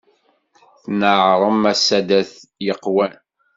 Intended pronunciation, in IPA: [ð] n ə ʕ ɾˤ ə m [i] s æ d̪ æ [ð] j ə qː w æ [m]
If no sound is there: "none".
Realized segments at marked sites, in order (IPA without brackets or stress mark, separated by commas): θ, æ, θ, n